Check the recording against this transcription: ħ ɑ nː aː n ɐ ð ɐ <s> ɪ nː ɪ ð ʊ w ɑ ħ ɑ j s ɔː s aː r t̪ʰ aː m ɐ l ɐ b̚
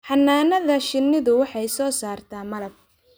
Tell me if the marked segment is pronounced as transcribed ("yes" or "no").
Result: no